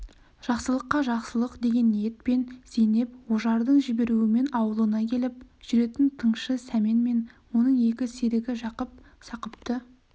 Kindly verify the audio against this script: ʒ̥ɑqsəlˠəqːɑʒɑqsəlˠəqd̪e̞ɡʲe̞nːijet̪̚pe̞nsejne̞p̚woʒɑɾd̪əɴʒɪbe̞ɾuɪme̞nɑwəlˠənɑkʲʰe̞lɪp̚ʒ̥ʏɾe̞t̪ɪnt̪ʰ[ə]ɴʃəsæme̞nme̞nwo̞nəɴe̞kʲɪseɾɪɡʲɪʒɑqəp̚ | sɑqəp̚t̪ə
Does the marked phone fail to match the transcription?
no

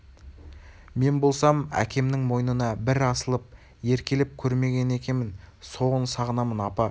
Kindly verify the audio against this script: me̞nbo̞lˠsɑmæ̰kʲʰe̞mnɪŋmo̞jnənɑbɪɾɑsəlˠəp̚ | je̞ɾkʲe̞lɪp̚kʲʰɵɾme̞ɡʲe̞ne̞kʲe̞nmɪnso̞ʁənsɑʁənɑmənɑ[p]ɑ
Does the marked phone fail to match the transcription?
no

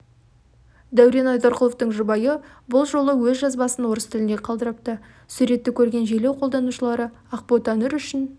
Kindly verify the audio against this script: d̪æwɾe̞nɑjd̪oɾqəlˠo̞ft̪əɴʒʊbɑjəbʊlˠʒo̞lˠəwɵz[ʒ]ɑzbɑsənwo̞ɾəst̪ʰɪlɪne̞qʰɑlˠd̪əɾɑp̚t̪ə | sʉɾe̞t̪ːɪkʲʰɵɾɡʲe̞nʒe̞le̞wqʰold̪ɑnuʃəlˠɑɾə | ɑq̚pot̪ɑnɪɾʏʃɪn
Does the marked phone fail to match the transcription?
no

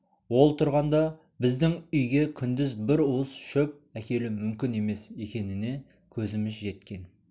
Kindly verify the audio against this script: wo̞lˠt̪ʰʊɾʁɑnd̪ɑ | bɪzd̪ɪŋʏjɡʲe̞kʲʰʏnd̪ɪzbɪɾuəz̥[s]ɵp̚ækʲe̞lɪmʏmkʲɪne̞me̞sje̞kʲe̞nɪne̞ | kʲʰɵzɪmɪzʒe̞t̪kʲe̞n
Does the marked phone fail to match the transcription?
yes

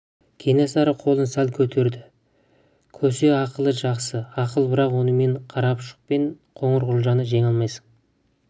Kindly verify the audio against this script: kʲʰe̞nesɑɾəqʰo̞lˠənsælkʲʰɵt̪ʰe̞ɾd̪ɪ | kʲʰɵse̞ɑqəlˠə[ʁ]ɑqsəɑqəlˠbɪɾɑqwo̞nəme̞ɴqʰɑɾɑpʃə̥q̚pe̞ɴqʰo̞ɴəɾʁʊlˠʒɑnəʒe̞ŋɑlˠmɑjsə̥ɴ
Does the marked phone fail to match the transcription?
yes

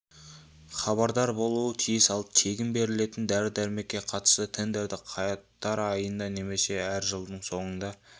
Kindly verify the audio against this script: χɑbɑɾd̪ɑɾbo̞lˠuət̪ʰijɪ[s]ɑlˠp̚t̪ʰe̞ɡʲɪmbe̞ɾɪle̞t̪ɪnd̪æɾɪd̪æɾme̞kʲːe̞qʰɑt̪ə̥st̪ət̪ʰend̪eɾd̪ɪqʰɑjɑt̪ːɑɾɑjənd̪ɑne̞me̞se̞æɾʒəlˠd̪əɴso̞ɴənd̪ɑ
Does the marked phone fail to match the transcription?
no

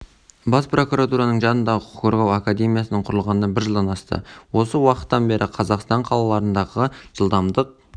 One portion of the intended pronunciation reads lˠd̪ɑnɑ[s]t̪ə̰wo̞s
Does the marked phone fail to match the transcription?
no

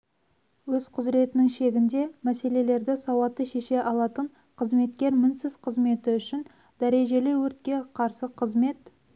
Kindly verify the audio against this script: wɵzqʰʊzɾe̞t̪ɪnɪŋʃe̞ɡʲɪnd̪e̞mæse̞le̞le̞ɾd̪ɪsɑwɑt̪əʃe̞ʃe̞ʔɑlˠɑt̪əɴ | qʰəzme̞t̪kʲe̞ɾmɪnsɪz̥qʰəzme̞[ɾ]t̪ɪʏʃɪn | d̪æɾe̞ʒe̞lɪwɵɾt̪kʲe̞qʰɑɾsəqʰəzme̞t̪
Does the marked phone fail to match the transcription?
yes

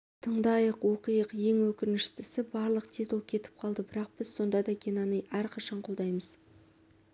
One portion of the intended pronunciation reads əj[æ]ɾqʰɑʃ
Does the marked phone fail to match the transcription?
no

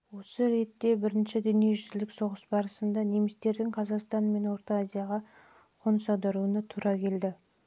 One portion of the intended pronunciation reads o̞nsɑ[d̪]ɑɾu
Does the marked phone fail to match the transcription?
no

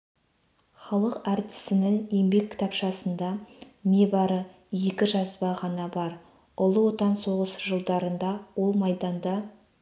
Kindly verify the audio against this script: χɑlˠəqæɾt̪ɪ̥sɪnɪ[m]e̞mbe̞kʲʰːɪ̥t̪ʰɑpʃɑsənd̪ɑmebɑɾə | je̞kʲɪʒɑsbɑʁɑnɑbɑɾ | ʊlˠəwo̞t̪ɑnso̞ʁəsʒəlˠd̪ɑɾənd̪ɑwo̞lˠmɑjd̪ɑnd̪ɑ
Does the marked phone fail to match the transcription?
yes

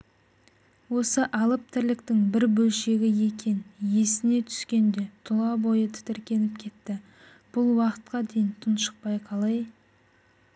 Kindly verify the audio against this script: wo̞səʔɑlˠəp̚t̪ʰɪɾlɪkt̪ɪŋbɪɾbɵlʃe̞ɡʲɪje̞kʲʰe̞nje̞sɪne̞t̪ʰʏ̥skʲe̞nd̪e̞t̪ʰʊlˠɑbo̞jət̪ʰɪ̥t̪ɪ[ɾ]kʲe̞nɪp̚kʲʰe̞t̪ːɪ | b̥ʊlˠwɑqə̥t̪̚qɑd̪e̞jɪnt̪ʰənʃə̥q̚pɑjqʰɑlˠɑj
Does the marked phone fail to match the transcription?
no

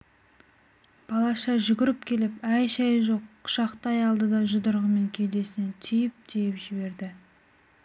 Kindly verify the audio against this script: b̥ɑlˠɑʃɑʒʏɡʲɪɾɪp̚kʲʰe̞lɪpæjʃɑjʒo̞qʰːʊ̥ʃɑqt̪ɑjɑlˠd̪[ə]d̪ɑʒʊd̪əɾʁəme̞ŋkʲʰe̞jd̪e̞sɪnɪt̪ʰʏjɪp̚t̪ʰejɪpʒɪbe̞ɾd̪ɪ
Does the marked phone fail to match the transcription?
no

